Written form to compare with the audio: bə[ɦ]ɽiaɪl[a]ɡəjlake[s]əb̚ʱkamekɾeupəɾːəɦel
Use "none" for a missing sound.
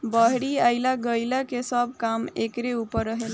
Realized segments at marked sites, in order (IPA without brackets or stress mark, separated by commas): ɦ, a, s